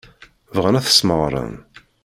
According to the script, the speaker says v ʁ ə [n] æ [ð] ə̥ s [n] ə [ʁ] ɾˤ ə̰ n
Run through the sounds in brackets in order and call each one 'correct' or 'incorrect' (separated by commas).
correct, incorrect, incorrect, correct